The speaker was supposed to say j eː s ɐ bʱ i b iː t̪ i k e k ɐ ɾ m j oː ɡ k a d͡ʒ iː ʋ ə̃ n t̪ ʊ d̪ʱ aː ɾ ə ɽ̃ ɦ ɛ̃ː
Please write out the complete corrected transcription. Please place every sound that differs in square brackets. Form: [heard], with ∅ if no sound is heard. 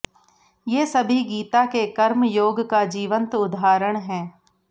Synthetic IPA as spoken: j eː s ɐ bʱ i [ɡ] iː t̪ [a] k e k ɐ ɾ m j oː ɡ k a d͡ʒ iː ʋ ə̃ n t̪ ʊ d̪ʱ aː ɾ ə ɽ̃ ɦ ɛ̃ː